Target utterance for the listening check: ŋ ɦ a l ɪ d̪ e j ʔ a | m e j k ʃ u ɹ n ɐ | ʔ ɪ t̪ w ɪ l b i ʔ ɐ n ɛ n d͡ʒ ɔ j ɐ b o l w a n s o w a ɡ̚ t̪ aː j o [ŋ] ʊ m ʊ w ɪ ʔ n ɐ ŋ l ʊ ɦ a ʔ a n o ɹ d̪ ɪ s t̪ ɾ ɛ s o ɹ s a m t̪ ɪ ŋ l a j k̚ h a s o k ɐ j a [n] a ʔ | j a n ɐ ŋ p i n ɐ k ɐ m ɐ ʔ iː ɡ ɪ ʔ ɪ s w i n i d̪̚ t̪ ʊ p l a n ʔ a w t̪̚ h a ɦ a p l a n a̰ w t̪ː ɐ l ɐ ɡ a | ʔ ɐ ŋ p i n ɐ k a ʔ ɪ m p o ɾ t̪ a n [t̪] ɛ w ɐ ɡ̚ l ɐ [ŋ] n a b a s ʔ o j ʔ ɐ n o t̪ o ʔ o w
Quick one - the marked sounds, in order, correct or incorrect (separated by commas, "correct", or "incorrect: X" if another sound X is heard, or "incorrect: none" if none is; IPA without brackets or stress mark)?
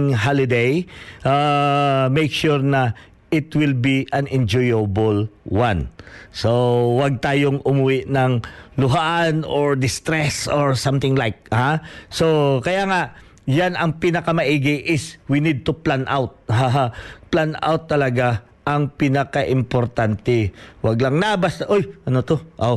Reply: correct, incorrect: ŋ, correct, correct